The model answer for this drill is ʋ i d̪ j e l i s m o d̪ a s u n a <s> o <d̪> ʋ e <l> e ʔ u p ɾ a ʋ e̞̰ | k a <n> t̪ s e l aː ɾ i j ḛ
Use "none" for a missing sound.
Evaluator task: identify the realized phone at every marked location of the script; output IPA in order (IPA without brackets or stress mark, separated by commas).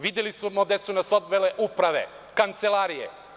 s, d̪, l, n